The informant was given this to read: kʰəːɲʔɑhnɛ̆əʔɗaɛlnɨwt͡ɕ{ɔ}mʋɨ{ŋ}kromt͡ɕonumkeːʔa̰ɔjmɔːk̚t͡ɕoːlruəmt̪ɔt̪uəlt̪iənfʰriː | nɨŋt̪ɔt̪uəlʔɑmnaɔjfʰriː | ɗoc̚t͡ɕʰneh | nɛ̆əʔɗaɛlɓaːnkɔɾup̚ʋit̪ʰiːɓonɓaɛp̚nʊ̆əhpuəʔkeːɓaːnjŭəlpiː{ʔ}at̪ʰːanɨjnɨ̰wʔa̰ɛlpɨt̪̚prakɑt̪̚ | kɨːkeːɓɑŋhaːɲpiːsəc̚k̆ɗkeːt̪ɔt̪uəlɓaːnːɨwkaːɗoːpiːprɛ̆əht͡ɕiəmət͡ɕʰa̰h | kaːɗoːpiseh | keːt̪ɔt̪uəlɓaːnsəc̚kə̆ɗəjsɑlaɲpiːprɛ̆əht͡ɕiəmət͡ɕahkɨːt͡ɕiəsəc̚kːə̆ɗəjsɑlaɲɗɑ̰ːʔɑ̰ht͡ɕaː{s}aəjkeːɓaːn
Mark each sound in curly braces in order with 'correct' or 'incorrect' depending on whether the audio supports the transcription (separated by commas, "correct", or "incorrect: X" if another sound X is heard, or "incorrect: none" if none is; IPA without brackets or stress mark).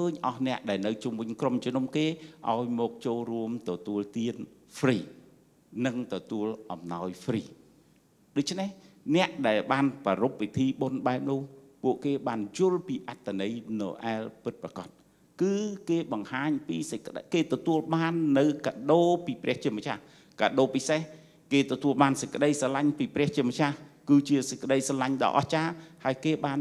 incorrect: u, incorrect: ɲ, correct, incorrect: h